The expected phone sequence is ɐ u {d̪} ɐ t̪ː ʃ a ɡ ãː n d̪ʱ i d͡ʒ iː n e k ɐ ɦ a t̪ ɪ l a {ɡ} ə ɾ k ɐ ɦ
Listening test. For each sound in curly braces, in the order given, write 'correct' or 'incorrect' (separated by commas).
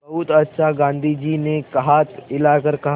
incorrect, incorrect